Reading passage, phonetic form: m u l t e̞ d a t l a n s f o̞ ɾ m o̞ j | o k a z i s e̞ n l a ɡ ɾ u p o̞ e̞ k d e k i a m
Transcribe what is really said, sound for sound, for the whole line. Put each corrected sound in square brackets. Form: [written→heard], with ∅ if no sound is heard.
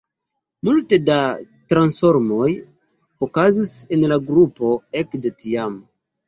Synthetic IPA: m u l t e̞ d a t [l→ɾ] a n s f o̞ ɾ m o̞ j | o k a z i s e̞ n l a ɡ ɾ u p o̞ e̞ k d e [k→t] i a m

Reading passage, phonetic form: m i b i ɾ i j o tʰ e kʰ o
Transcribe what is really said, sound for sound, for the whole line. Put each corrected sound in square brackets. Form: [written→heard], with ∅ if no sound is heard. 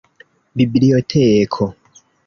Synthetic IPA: [m→b] i b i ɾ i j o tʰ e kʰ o

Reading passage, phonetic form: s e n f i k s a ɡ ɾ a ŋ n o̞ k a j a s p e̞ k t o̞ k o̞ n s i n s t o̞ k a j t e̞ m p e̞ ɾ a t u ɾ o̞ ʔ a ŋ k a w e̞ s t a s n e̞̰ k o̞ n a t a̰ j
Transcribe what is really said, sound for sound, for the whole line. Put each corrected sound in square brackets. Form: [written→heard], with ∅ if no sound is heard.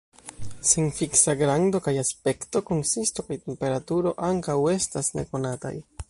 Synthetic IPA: s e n f i k s a ɡ ɾ a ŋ [n→d] o̞ k a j a s p e̞ k t o̞ k o̞ n s i [n→∅] s t o̞ k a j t e̞ m p e̞ ɾ a t u ɾ o̞ ʔ a ŋ k a w e̞ s t a s n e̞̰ k o̞ n a t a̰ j

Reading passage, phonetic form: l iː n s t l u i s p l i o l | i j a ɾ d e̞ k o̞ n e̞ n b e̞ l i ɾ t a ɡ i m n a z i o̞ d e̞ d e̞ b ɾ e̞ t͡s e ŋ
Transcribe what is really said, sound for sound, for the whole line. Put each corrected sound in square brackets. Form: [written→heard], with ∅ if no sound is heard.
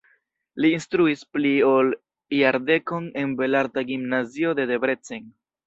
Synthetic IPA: l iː n s t [l→ɾ] u i s p l i o l | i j a ɾ d e̞ k o̞ n e̞ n b e̞ l [i→a] ɾ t a ɡ i m n a z i o̞ d e̞ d e̞ b ɾ e̞ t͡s e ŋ

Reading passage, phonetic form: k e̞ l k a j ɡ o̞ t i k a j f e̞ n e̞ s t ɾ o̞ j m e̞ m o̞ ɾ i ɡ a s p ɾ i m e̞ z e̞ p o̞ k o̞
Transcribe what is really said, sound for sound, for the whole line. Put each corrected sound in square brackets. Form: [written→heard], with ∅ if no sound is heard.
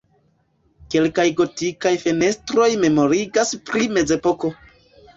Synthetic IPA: k e̞ l k a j ɡ o̞ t i k a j f e̞ n e̞ s t ɾ o̞ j m e̞ m o̞ ɾ i ɡ a s p ɾ i m e̞ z e̞ p o̞ k o̞

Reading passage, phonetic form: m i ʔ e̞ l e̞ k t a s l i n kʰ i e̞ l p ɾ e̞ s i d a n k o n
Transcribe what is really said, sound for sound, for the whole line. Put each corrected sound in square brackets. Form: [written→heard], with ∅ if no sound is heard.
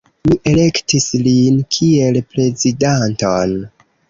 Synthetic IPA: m i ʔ e̞ l e̞ k t [a→i] s l i n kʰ i e̞ l p ɾ e̞ [s→z] i d a n [k→t] o n

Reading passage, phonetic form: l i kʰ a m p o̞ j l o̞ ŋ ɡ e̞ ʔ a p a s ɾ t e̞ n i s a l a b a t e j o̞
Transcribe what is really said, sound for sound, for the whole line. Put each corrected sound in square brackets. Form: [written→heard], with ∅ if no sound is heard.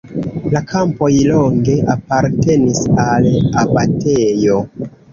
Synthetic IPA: l [i→a] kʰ a m p o̞ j l o̞ ŋ ɡ e̞ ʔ a p a [s→∅] ɾ t e̞ n i s a l a b a t e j o̞

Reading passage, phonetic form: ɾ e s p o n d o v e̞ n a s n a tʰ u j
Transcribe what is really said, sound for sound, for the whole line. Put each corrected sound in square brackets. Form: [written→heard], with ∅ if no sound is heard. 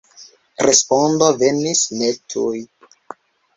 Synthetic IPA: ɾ e s p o n d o v e̞ n [a→i] s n [a→e] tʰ u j

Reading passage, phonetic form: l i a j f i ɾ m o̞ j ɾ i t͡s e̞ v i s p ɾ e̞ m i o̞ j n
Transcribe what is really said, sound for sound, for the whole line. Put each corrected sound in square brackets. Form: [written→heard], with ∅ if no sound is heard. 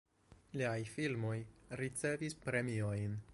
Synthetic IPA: l i a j f i [ɾ→l] m o̞ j ɾ i t͡s e̞ v i s p ɾ e̞ m i o̞ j n

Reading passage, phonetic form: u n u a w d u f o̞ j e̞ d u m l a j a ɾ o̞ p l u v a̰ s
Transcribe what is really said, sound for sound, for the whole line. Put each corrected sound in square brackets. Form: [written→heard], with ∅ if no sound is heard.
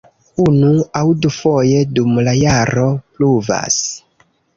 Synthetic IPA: u n u a w d u f o̞ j e̞ d u m l a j a ɾ o̞ p l u v a̰ s

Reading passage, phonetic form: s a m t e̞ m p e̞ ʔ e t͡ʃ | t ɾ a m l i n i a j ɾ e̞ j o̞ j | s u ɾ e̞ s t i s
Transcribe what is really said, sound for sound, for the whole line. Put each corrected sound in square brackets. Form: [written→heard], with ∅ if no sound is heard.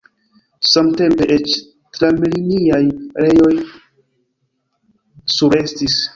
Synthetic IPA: s a m t e̞ m p e̞ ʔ e t͡ʃ | t ɾ a m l i n i a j ɾ e̞ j o̞ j | s u ɾ e̞ s t i s

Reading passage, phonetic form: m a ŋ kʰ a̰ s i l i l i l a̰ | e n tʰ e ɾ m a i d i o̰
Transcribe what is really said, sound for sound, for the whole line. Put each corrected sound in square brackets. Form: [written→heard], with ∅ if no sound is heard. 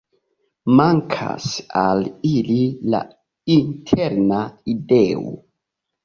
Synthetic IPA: m a ŋ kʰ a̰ s [i→a] l i l i l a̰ | [e→i] n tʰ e ɾ [m→n] a i d [i→e] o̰

